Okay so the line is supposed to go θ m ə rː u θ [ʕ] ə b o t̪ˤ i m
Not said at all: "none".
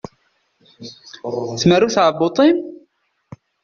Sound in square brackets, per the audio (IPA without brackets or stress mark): ʕ